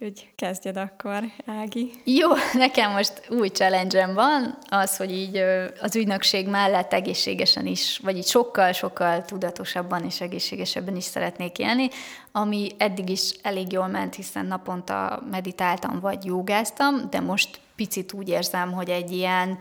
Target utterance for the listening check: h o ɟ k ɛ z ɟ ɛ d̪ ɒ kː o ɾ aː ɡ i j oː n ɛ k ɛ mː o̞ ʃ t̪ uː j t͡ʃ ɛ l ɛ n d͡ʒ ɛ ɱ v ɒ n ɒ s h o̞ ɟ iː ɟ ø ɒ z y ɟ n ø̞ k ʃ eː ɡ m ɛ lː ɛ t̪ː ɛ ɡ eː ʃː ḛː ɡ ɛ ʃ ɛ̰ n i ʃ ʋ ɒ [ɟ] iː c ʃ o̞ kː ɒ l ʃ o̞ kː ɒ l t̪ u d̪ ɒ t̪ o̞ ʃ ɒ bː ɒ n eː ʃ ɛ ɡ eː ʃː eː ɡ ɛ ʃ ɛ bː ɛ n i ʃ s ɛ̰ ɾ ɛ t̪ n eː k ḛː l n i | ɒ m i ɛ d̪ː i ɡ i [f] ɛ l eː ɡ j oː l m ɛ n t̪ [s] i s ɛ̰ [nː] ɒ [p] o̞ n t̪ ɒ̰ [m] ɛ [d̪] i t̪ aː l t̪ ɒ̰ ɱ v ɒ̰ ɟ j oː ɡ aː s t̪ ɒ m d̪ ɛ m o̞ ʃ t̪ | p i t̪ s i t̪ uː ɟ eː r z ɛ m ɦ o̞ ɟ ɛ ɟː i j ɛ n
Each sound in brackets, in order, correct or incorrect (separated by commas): correct, incorrect, incorrect, correct, correct, correct, correct